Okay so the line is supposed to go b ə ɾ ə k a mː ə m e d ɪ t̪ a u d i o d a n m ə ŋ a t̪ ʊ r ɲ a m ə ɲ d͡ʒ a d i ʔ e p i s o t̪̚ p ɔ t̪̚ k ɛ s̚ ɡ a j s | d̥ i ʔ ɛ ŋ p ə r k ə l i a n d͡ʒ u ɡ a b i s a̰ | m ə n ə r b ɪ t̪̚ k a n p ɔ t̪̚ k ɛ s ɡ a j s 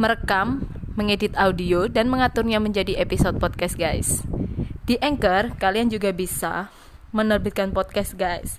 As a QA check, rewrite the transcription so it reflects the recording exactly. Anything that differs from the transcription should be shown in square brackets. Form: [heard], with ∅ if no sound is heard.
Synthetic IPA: [m] ə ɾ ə k a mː ə [ŋ] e d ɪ t̪ a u d i o d a n m ə ŋ a t̪ ʊ r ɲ a m ə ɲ d͡ʒ a d i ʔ e p i s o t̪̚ p ɔ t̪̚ k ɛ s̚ ɡ a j s | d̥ i ʔ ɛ ŋ [k] ə r k [a] l i a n d͡ʒ u ɡ a b i s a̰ | m ə n ə r b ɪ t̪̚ k a n p ɔ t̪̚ k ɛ s ɡ a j s